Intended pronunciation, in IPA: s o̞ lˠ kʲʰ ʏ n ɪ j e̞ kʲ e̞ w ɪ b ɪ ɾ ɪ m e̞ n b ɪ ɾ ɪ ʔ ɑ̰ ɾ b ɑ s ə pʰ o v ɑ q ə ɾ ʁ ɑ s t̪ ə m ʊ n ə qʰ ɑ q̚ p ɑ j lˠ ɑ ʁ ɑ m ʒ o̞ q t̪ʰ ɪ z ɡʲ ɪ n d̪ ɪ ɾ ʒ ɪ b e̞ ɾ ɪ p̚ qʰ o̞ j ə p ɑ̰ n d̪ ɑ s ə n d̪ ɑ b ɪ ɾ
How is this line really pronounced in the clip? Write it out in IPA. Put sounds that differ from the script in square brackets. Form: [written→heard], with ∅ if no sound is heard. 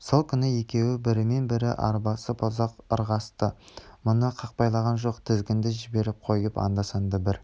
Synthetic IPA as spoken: s o̞ lˠ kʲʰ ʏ n ɪ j e̞ kʲ e̞ w ɪ b ɪ ɾ ɪ m e̞ n b ɪ ɾ ɪ ʔ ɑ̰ ɾ b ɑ s ə pʰ o [v→z] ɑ q ə ɾ ʁ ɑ s t̪ ə m ʊ n ə qʰ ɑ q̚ p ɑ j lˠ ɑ ʁ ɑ [m→n] ʒ o̞ q t̪ʰ ɪ z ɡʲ ɪ n d̪ ɪ [ɾ→∅] ʒ ɪ b e̞ ɾ ɪ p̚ qʰ o̞ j ə p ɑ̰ n d̪ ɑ s [ə→ɑ] n d̪ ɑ b ɪ ɾ